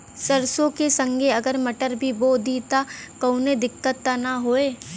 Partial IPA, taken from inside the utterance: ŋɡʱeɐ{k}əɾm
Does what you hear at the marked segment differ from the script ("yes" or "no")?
yes